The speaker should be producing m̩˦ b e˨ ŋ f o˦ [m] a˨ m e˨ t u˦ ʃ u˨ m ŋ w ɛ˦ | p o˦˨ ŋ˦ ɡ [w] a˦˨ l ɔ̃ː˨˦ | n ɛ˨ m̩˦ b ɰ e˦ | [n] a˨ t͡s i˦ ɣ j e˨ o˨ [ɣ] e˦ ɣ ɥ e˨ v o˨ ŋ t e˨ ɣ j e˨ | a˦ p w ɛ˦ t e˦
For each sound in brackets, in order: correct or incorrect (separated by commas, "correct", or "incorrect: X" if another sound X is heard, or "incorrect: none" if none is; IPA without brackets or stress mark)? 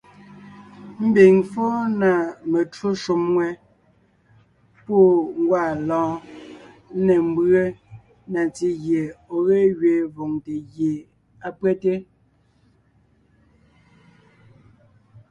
incorrect: n, correct, correct, correct